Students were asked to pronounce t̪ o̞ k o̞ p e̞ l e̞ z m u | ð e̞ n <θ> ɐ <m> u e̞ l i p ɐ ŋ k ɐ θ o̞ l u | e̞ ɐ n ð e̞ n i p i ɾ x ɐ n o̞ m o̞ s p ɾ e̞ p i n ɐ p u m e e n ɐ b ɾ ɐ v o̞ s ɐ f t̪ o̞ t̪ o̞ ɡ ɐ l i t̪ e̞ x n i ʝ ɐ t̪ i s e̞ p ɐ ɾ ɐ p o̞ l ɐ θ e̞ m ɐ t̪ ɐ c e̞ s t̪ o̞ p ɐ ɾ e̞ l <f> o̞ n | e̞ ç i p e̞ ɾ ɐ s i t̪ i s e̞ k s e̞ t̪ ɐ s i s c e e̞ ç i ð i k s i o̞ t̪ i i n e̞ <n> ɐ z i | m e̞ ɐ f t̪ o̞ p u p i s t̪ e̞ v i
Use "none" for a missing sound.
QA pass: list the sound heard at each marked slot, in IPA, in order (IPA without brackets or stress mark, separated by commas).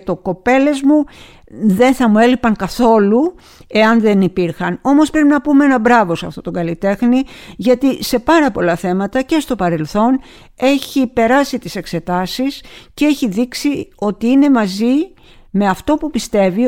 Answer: θ, m, θ, m